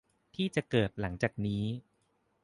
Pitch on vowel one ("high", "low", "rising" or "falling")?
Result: falling